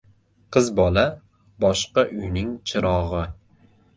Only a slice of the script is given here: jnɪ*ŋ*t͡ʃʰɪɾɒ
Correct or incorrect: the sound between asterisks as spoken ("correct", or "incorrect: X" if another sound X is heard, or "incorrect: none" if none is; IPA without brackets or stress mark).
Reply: correct